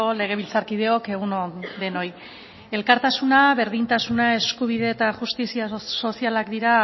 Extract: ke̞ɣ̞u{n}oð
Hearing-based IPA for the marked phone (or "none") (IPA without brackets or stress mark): n